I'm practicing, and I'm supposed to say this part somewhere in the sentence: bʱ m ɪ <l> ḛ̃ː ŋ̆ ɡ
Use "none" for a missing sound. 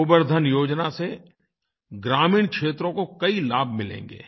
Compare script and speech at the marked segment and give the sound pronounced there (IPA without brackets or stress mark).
l